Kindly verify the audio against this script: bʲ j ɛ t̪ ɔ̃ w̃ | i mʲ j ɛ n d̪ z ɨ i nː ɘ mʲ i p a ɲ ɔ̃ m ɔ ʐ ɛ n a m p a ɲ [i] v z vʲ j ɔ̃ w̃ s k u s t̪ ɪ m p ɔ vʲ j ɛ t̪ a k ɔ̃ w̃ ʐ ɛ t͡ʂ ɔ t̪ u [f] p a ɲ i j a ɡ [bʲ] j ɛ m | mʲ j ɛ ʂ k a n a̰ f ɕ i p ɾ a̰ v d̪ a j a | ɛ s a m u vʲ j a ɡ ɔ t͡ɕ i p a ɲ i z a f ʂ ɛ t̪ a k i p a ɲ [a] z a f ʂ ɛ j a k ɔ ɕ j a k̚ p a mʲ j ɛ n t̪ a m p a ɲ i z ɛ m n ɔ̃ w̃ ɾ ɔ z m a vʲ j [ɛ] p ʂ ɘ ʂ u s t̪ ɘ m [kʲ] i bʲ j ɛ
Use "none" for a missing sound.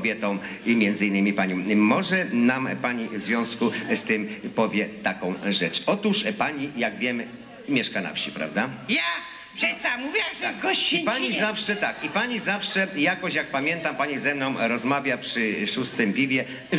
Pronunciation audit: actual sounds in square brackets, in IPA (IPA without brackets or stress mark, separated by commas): i, ʂ, vʲ, i, a, pʲ